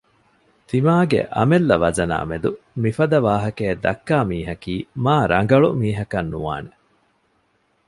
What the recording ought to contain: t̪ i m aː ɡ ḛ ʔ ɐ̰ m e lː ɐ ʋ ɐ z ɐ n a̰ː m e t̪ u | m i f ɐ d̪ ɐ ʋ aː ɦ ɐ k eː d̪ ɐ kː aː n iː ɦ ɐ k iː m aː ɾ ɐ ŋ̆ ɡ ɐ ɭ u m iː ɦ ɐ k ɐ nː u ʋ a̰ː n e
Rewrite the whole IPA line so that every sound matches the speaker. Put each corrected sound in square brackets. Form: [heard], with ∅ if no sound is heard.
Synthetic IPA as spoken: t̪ i m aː ɡ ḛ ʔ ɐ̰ m e lː ɐ ʋ ɐ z ɐ n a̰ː m e [d̪] u | m i f ɐ d̪ ɐ ʋ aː ɦ ɐ k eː d̪ ɐ kː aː [m] iː ɦ ɐ k iː m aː ɾ ɐ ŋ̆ ɡ ɐ ɭ u m iː ɦ ɐ k ɐ nː u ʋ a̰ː n e